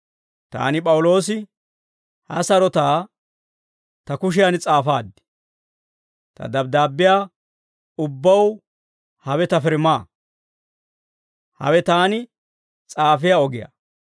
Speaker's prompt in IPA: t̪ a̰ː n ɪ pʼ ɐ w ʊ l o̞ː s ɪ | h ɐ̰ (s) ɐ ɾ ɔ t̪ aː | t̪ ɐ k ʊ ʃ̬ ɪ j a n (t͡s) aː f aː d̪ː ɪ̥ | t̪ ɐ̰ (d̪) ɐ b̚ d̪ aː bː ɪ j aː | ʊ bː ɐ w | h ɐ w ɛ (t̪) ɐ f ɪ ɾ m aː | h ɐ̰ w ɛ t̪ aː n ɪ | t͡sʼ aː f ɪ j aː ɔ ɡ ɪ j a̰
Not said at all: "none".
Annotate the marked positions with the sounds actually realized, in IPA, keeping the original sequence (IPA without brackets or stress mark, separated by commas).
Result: s, t͡sʼ, d̪, t̪